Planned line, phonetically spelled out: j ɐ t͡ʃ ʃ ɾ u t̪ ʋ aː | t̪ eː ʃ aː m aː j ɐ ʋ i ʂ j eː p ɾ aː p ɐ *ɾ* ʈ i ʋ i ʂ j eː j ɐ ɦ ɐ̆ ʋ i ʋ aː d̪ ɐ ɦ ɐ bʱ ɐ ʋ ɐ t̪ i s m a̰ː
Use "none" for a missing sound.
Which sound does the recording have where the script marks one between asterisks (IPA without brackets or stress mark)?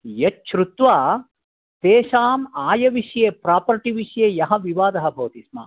ɾ